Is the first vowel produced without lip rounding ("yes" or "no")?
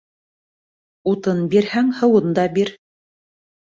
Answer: no